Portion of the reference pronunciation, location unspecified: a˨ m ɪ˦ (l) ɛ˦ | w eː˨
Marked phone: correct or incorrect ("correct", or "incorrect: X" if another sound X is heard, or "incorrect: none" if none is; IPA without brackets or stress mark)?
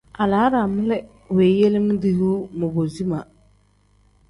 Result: correct